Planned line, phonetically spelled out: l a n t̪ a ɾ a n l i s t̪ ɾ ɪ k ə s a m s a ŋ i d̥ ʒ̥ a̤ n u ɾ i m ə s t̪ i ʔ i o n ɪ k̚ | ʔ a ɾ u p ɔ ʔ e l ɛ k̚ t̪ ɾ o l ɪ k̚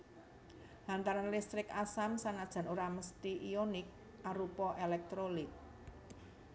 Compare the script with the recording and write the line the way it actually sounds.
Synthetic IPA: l a n t̪ a ɾ a n l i s t̪ ɾ ɪ k a s a m s a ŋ a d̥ ʒ̥ a̤ n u ɾ a m ə s t̪ i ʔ i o n ɪ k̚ | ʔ a ɾ u p ɔ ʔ e l ɛ k̚ t̪ ɾ o l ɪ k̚